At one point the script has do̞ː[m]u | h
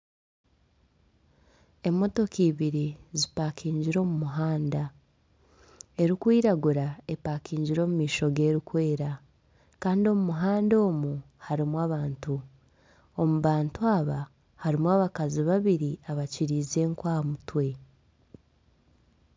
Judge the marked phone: correct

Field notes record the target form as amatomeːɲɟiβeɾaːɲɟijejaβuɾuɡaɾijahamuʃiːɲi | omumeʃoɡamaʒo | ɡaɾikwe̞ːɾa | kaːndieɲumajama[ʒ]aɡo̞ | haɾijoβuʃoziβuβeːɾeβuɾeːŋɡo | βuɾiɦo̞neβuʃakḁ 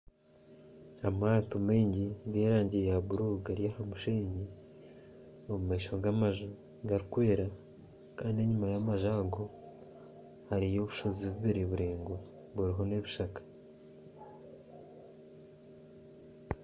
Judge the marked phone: correct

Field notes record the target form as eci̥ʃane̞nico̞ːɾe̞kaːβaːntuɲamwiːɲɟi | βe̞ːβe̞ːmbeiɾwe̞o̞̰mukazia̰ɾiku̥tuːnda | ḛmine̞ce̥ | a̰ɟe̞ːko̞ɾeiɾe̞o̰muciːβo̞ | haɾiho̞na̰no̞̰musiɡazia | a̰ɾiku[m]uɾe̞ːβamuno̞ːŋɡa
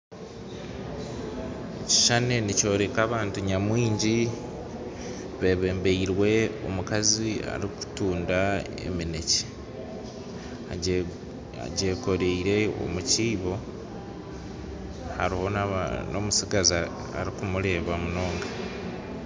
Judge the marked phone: correct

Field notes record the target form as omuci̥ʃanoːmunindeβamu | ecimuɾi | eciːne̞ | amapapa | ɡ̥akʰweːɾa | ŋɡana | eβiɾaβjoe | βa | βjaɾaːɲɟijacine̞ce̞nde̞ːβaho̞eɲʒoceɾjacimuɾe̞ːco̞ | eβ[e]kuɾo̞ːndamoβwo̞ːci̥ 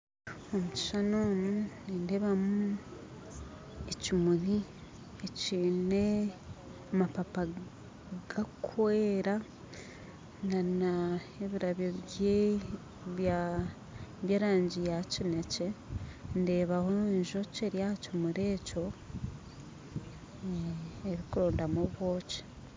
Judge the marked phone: incorrect: i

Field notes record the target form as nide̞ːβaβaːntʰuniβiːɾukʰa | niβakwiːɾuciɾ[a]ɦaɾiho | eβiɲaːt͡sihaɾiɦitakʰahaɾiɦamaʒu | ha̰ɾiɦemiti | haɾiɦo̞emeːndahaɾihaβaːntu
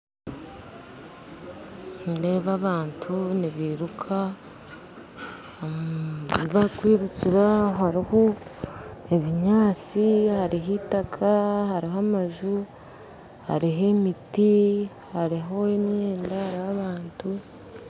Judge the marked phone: correct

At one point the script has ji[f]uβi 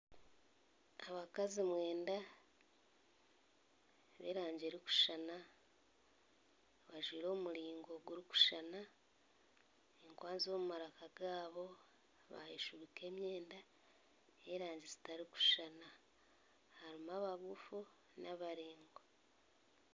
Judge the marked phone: incorrect: ʃ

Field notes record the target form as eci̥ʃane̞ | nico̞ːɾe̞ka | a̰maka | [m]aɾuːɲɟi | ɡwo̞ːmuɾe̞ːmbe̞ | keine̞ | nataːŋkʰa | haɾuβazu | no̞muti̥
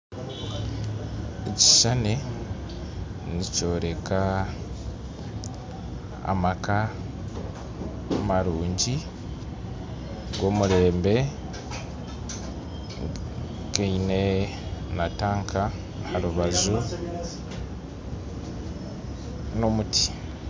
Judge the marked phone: correct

